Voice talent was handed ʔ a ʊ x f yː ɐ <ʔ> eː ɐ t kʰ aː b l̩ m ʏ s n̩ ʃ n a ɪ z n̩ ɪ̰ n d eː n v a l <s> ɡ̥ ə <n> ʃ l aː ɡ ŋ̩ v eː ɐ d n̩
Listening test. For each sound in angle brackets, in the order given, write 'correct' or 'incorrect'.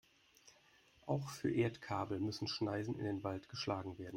correct, incorrect: t, incorrect: none

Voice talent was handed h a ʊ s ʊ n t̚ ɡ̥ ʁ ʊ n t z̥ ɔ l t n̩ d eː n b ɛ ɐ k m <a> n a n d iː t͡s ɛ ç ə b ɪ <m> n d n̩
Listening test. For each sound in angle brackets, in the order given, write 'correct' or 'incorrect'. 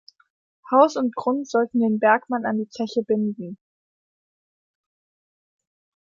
correct, incorrect: none

